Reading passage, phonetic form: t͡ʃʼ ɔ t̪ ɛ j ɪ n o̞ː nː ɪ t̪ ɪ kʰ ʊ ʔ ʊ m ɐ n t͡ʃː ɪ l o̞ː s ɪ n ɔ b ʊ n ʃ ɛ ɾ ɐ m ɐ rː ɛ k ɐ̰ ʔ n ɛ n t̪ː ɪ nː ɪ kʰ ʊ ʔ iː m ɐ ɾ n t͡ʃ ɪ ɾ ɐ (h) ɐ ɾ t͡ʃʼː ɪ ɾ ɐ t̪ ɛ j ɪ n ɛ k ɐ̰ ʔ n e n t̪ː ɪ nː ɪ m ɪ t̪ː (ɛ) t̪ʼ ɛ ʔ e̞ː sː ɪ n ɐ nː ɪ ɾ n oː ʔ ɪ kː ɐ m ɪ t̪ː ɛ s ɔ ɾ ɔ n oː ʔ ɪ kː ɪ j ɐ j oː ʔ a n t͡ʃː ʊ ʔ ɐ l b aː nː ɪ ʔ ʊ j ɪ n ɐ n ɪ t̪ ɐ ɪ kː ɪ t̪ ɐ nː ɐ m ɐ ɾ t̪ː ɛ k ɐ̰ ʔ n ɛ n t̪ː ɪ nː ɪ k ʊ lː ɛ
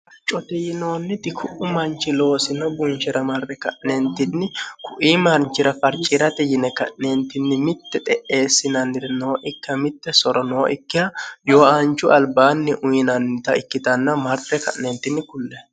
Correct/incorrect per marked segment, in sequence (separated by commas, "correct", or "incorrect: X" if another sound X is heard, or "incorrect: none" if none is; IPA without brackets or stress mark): incorrect: f, correct